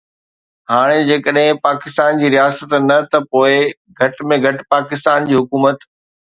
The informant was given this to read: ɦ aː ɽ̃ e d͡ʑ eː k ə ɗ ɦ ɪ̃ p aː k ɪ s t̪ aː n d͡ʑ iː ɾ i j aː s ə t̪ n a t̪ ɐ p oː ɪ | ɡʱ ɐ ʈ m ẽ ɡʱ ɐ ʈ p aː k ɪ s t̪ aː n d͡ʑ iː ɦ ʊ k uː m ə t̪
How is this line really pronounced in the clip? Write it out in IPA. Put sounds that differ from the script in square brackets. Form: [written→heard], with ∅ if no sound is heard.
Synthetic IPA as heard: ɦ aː ɽ̃ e d͡ʑ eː k ə ɗ ɦ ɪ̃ p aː k ɪ s t̪ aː n d͡ʑ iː ɾ i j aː s ə t̪ n [a→ɐ] t̪ ɐ p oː ɪ | ɡʱ ɐ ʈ m ẽ ɡʱ ɐ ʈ p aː k ɪ s t̪ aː n d͡ʑ iː ɦ ʊ k uː m ə t̪

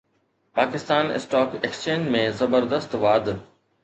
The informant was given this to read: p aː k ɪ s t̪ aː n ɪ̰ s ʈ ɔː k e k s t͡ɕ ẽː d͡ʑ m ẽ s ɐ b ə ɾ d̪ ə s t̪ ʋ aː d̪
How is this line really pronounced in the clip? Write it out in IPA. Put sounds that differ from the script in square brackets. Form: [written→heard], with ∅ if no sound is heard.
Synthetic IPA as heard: p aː k ɪ s t̪ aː n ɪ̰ s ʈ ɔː k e k s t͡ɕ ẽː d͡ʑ m ẽ [s→z] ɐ b ə ɾ d̪ ə s t̪ ʋ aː d̪

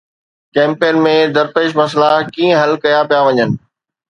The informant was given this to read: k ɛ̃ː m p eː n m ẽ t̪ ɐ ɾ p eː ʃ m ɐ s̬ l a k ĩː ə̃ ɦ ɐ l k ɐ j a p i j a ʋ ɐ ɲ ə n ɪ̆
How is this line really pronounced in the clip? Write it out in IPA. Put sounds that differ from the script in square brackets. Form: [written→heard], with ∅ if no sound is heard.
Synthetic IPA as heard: k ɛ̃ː m p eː n m ẽ [t̪→d̪] ɐ ɾ p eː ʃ m ɐ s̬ l a k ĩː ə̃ ɦ ɐ l k ɐ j a p i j a ʋ ɐ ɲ ə n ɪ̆

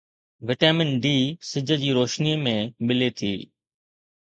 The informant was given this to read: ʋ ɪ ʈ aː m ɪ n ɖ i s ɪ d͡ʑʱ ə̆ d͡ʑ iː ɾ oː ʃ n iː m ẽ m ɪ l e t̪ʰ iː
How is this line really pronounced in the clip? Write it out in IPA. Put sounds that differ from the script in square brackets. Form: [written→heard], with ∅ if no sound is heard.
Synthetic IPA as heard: ʋ ɪ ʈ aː m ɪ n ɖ [i→iː] s ɪ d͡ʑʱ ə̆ d͡ʑ iː ɾ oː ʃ n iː m ẽ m ɪ l e t̪ʰ iː

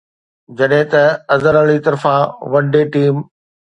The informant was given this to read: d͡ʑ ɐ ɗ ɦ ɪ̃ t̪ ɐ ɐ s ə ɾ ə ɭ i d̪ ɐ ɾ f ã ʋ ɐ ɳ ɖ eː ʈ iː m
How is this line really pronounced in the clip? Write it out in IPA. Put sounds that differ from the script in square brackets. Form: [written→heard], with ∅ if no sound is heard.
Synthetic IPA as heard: d͡ʑ ɐ ɗ ɦ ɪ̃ t̪ ɐ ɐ [s→z] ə ɾ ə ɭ i [d̪→t̪] ɐ ɾ f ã ʋ ɐ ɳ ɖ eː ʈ iː m

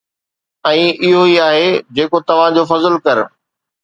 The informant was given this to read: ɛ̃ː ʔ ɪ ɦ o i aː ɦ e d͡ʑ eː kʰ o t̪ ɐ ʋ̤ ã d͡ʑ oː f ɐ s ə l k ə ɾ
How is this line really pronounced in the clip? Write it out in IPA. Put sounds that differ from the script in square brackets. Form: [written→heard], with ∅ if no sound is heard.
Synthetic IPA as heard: ɛ̃ː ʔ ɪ ɦ o i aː ɦ e d͡ʑ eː [kʰ→k] o t̪ ɐ ʋ̤ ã d͡ʑ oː f ɐ [s→z] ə l k [ə→ɐ] ɾ

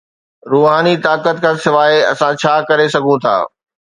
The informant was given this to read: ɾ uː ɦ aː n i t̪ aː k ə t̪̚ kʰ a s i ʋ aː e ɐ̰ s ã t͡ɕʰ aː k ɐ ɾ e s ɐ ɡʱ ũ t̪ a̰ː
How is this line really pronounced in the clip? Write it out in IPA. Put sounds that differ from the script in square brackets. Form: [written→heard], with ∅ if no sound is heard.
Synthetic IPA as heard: ɾ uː ɦ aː n i t̪ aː k ə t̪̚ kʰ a s [i→ɪ] ʋ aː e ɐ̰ s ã t͡ɕʰ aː k ɐ ɾ e s ɐ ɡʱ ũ [t̪→t̪ʰ] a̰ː

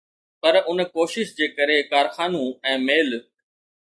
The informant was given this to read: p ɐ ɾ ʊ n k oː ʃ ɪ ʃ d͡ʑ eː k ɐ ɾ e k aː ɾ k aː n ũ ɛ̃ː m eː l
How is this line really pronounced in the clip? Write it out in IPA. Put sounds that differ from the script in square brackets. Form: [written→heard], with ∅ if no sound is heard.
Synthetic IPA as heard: p ɐ ɾ ʊ n k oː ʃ ɪ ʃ d͡ʑ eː k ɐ ɾ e k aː ɾ [k→x] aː n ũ ɛ̃ː m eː l

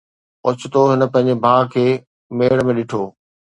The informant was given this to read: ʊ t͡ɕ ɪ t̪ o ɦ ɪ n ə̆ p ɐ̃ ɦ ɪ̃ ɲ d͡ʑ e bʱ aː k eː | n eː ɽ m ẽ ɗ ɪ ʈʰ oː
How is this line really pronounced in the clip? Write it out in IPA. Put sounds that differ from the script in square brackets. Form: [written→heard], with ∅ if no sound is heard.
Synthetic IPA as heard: ʊ t͡ɕ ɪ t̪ o ɦ ɪ n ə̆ p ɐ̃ ɦ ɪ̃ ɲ d͡ʑ e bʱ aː [k→kʰ] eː | [n→m] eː ɽ m ẽ ɗ ɪ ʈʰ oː

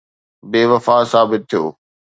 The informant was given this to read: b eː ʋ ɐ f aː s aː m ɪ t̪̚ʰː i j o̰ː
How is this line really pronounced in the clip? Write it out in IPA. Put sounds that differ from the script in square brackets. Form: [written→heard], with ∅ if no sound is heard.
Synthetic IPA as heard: b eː ʋ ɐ f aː s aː [m→b] ɪ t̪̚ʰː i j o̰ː

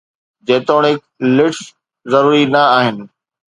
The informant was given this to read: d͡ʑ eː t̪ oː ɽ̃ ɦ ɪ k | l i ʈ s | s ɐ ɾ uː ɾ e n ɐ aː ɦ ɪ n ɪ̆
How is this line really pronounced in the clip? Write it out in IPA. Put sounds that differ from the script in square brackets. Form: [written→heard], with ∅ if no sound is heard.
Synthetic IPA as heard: d͡ʑ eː t̪ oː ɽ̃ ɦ ɪ k | l [i→ɪ] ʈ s | [s→z] ɐ ɾ uː ɾ [e→i] n ɐ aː ɦ ɪ n ɪ̆

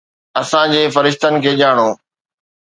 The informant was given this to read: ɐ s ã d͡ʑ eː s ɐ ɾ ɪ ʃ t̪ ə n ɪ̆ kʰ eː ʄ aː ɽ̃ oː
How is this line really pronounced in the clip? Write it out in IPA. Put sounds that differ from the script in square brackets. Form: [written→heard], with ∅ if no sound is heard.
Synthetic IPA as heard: ɐ s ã d͡ʑ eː [s→f] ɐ ɾ ɪ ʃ t̪ ə n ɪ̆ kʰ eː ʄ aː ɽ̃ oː

